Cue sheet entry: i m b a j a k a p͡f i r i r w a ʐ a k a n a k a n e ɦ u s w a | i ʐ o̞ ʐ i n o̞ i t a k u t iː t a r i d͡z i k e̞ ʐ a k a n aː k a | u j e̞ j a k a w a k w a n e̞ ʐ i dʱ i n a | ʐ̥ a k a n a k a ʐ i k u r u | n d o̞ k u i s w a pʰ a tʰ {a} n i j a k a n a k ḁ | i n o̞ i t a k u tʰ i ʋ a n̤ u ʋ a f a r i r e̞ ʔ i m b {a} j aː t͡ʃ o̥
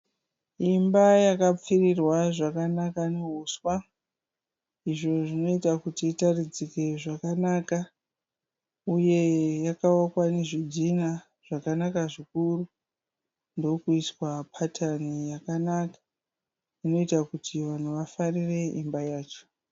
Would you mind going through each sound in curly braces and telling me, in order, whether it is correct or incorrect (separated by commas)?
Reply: correct, correct